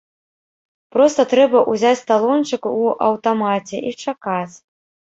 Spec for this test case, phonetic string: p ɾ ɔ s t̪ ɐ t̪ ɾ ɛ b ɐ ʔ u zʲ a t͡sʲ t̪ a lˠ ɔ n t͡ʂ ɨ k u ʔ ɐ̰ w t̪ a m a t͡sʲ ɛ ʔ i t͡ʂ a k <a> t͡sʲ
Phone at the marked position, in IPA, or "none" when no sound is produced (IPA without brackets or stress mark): a